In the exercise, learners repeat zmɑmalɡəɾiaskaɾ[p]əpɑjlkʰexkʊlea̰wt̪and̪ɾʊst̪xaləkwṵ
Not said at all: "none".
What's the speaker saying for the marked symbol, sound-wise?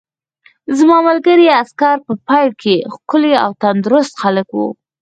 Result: p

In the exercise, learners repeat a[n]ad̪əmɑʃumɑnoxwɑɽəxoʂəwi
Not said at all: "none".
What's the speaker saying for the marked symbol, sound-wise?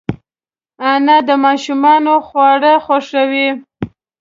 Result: n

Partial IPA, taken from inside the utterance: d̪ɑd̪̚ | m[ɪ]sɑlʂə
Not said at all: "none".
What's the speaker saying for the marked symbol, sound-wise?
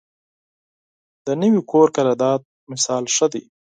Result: ɪ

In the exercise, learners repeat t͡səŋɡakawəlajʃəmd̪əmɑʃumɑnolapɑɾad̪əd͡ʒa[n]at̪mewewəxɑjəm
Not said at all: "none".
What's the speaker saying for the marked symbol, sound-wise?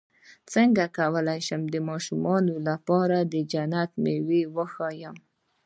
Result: n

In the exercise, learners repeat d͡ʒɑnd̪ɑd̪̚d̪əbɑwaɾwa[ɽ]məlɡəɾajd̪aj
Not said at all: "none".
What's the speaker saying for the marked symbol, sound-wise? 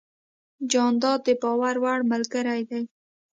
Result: ɽ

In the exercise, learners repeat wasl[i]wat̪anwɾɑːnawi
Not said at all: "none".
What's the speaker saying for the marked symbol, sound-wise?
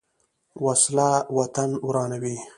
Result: a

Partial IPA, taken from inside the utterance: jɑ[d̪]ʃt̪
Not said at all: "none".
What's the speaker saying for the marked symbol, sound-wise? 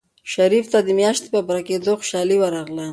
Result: none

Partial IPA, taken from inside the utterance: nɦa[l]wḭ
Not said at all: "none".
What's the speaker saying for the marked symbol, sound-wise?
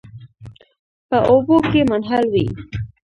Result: l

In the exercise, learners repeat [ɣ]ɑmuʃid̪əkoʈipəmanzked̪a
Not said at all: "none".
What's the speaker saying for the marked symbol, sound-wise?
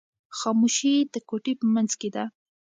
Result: x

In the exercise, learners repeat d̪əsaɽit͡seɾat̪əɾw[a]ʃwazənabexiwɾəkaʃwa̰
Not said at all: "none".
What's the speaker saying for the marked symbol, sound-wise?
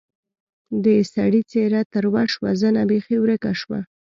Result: a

